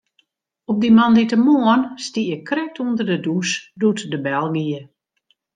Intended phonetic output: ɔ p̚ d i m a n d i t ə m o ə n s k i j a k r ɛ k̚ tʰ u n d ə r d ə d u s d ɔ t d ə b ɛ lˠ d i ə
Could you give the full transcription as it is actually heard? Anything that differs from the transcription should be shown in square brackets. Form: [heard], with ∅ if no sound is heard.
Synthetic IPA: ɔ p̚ d i m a n d i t ə m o ə n s [t] i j [ə] k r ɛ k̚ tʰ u n d ə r d ə d u s d [u] t d ə b ɛ lˠ [ɡ] i ə